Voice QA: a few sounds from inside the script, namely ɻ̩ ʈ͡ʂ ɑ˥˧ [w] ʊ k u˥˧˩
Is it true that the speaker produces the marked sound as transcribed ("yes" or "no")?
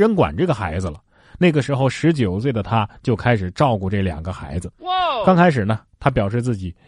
no